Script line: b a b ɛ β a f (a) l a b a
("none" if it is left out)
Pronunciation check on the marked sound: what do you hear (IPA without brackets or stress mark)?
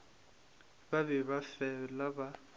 ɛ